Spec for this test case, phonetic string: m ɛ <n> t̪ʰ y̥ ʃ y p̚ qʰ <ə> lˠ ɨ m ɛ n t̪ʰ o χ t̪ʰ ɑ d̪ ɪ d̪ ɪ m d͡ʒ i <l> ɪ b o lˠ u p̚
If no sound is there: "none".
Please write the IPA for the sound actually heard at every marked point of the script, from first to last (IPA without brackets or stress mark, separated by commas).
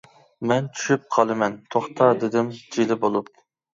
n, ɑ, l